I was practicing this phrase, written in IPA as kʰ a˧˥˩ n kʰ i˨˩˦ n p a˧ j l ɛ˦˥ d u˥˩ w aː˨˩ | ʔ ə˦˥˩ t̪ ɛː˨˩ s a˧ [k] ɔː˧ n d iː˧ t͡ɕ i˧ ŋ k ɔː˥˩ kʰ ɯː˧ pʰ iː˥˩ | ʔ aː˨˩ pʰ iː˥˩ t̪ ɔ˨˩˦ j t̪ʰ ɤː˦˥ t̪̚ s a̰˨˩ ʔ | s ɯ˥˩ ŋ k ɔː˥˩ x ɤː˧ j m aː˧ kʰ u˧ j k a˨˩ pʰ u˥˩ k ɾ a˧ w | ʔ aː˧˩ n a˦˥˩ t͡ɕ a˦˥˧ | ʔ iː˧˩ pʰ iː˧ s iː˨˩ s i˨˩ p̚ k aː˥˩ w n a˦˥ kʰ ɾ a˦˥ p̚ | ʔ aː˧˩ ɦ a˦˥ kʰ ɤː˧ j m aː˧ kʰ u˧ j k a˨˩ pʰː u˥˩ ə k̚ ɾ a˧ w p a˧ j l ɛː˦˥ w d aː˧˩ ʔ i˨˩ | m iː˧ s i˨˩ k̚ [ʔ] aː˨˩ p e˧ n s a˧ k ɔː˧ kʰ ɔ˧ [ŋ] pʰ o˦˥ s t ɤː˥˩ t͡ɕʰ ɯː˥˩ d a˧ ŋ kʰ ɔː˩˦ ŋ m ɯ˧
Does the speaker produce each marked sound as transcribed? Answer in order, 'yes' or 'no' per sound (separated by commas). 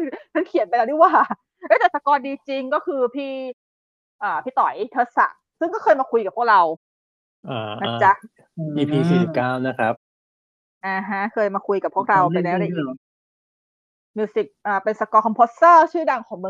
yes, yes, no